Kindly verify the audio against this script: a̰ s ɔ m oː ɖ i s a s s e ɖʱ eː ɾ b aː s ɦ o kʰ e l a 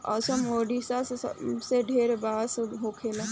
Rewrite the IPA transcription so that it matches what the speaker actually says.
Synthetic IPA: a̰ s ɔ m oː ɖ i s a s s e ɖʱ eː ɾ b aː s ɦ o kʰ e l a